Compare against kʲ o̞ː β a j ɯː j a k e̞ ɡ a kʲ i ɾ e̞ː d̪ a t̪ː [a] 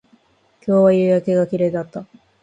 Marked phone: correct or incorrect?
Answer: correct